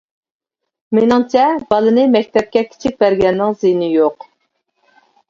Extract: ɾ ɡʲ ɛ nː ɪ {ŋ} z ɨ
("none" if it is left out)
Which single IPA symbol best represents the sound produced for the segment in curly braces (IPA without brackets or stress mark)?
ŋ